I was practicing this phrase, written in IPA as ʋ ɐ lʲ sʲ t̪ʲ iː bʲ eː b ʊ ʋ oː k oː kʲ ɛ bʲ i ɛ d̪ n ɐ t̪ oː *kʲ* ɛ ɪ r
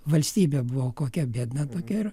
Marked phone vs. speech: correct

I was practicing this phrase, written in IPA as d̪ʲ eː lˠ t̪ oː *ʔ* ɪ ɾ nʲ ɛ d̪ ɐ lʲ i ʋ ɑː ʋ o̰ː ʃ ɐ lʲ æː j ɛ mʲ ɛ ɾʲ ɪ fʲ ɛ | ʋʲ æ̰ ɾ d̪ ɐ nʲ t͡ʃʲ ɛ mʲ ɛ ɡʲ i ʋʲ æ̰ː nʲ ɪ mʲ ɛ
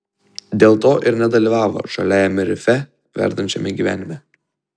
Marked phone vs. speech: correct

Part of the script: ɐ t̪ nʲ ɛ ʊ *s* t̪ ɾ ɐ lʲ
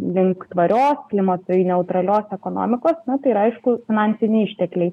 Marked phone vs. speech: incorrect: none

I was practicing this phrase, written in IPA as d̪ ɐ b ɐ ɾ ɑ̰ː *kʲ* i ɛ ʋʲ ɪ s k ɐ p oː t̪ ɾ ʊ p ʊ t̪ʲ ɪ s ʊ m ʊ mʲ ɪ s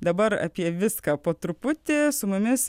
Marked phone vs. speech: incorrect: pʲ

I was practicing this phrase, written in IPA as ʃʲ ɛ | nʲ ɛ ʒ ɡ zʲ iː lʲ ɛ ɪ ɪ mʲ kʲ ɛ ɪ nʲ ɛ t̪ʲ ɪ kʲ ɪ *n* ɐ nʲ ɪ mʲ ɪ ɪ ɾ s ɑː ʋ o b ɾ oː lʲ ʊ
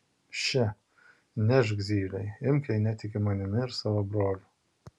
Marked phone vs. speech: incorrect: m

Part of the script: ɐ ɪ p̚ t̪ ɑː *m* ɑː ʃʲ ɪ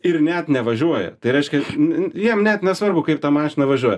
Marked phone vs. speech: correct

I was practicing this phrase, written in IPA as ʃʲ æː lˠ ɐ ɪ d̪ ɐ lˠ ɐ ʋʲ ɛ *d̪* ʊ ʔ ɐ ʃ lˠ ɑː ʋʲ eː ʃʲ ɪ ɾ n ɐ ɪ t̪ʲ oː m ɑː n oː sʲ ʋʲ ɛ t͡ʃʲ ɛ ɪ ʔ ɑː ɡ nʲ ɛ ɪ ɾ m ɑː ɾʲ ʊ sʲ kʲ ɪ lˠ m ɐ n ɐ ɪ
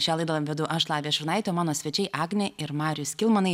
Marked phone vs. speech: correct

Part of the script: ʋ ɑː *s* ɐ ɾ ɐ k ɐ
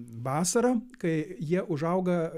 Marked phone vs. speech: correct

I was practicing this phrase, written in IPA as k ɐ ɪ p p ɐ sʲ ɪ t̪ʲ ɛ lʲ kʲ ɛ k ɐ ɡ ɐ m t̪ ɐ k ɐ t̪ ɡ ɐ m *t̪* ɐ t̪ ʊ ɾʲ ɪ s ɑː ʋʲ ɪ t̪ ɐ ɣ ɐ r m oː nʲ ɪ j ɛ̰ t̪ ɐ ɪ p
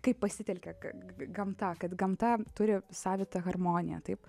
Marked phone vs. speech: correct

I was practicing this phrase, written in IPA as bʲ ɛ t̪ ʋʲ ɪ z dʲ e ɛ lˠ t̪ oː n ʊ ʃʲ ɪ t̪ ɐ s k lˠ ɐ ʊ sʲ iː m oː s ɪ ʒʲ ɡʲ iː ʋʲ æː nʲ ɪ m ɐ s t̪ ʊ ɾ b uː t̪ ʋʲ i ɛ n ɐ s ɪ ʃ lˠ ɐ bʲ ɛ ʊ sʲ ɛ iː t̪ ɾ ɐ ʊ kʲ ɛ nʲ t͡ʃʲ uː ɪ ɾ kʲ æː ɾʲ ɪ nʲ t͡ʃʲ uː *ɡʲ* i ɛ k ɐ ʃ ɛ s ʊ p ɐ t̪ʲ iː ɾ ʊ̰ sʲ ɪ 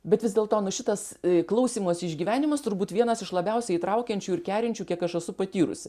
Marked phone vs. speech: incorrect: kʲ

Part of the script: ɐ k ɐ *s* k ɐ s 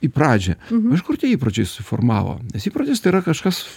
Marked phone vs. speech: incorrect: ʃ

